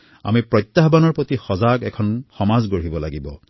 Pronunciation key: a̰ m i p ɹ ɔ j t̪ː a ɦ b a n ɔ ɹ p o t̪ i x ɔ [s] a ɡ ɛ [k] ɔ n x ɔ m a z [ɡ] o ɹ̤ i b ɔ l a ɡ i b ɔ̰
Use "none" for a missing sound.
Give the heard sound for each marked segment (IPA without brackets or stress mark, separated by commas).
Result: z, kʰ, ɡ